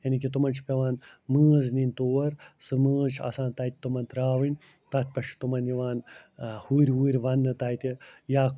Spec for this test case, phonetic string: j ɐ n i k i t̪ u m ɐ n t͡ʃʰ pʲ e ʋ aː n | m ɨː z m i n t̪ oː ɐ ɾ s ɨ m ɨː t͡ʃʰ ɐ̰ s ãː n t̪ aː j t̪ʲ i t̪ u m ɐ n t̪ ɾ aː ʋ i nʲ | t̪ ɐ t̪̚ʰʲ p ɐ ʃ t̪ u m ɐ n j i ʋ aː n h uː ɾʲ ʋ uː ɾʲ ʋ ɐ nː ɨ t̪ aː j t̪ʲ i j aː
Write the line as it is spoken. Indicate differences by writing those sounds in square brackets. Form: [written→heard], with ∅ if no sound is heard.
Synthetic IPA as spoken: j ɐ n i k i t̪ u m ɐ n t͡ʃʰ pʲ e ʋ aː n | m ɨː z [m→n] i n t̪ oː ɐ ɾ s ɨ m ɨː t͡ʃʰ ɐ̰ s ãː n t̪ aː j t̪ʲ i t̪ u m ɐ n t̪ ɾ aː ʋ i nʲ | t̪ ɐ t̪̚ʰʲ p ɐ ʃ t̪ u m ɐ n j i ʋ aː n h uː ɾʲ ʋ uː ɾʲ ʋ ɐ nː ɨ t̪ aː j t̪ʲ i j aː